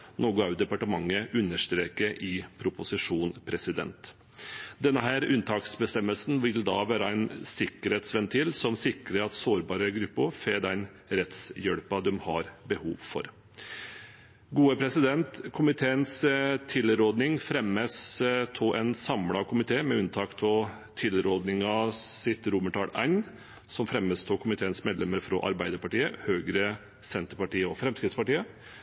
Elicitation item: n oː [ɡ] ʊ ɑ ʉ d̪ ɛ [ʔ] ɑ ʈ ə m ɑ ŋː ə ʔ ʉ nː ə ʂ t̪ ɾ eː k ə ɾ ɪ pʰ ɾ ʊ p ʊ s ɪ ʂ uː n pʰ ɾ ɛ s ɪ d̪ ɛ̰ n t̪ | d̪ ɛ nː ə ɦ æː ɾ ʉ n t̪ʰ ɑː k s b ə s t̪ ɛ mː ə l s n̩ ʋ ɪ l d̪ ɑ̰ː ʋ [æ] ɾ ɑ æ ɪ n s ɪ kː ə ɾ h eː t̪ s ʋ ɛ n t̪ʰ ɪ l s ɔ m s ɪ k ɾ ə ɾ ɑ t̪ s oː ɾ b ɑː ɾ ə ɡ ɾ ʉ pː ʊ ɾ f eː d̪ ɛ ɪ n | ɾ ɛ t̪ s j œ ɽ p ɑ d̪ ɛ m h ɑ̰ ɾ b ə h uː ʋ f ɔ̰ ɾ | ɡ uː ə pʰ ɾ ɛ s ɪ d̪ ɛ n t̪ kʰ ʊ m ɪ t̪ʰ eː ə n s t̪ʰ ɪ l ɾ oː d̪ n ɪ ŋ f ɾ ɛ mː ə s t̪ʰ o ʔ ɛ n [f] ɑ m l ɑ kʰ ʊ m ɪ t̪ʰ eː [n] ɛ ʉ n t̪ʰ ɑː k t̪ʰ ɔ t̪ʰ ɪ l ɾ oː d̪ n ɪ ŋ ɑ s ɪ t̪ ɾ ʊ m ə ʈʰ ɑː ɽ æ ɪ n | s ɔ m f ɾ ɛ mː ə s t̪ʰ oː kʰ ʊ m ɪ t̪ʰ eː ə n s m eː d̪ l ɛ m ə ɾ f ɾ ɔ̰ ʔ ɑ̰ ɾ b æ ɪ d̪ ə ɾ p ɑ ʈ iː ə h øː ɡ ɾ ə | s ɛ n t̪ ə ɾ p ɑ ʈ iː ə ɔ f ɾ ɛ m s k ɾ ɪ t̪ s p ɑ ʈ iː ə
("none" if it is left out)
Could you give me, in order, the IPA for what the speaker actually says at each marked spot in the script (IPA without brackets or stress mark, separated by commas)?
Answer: ɡ, p, æː, s, m